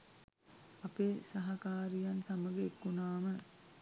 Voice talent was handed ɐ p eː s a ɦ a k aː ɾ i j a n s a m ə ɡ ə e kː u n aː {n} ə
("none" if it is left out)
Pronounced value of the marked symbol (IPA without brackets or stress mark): m